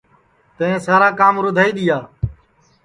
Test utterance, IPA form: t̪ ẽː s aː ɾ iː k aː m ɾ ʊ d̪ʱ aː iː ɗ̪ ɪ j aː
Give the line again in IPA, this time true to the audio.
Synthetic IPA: t̪ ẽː s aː ɾ aː k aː m ɾ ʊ d̪ʱ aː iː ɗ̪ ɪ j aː